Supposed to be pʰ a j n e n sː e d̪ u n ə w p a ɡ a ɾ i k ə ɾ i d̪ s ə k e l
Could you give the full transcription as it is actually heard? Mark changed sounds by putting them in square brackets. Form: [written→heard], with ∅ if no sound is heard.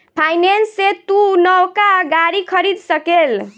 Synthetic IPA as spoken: pʰ a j n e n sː e [d̪→t̪] u n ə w [p→k] a ɡ a ɾ i [k→kʰ] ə ɾ i d̪ s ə k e l